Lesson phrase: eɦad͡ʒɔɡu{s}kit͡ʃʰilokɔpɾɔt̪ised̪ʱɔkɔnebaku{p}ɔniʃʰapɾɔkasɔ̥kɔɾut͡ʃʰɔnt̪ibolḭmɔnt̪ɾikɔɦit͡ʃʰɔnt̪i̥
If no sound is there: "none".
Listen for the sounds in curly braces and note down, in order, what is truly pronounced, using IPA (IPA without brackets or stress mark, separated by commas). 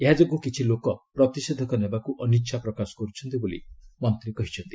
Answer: none, ʔ